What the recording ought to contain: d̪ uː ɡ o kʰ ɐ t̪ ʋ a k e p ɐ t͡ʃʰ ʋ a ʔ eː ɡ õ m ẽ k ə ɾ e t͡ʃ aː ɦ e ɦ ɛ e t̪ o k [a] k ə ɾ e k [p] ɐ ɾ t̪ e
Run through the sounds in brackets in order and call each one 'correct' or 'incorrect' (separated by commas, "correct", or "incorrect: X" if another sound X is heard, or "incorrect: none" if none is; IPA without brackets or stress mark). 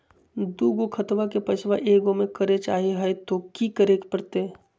incorrect: i, correct